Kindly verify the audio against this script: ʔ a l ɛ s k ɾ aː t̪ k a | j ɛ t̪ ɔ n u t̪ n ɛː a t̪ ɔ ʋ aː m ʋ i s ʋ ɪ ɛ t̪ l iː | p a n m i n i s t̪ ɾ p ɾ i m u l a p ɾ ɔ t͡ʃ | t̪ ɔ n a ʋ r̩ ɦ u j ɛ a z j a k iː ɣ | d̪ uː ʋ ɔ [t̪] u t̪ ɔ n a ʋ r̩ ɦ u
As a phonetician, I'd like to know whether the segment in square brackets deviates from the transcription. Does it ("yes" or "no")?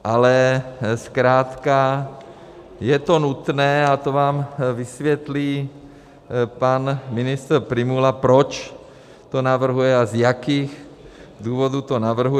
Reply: yes